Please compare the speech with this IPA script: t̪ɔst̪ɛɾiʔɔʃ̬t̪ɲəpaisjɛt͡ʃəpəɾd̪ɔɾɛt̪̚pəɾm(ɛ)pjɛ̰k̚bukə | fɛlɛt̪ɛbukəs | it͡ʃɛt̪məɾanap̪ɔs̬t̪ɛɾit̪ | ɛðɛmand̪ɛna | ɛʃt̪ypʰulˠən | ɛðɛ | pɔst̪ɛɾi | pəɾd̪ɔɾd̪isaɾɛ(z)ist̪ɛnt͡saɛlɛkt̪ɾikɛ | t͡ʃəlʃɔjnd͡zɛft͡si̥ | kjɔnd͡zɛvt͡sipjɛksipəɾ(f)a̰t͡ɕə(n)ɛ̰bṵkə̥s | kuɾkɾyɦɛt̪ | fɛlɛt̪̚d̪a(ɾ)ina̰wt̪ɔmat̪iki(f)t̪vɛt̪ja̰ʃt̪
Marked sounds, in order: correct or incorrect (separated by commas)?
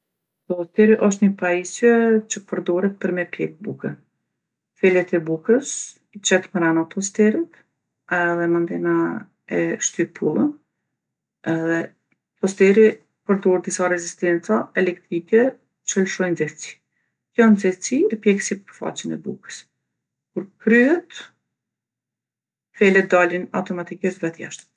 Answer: correct, correct, correct, correct, incorrect, incorrect